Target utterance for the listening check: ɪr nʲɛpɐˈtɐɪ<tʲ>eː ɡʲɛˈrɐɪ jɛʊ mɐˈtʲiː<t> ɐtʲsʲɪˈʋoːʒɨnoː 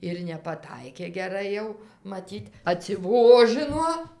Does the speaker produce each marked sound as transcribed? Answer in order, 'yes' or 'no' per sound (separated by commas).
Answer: no, yes